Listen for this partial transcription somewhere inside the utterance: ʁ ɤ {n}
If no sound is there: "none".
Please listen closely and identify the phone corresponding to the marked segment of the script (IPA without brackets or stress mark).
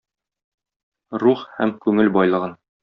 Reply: n